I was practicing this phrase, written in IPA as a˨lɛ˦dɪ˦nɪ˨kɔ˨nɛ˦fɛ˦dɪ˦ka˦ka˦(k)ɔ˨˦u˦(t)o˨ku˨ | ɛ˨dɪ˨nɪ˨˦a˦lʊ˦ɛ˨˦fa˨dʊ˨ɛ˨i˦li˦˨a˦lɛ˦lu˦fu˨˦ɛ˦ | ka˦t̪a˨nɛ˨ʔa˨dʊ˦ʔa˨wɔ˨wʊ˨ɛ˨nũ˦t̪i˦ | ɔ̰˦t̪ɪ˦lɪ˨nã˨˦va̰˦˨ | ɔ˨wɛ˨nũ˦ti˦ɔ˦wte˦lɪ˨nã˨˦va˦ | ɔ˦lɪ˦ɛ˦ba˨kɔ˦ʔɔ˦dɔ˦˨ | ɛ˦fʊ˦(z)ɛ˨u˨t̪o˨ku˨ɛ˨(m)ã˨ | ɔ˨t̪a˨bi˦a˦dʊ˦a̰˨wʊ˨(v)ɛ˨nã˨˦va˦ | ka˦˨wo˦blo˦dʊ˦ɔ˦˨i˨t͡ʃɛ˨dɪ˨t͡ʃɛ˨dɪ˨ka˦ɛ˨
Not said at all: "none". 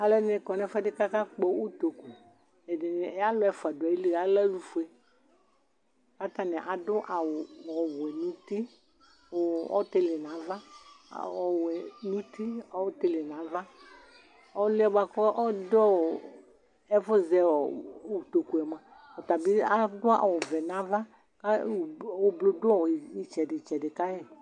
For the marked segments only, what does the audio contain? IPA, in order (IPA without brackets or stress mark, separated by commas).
k͡p, t, z, m, v